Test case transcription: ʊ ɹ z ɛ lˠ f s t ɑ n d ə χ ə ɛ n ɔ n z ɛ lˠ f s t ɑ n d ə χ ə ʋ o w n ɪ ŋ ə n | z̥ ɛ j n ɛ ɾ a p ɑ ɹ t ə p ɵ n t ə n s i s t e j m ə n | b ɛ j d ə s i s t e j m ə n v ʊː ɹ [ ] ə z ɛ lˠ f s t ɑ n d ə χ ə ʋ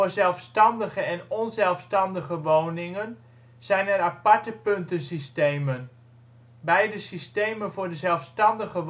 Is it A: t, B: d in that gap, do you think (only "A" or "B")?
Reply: B